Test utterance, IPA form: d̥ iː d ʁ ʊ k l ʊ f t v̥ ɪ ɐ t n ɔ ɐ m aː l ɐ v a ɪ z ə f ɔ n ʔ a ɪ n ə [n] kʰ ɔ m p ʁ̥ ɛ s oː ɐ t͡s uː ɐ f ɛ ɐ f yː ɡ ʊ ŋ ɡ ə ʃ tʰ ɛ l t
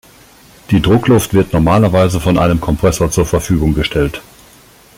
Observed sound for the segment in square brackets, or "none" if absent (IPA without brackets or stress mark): m